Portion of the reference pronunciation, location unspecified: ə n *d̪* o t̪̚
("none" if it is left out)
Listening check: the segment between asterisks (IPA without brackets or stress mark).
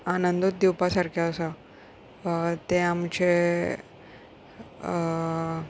d̪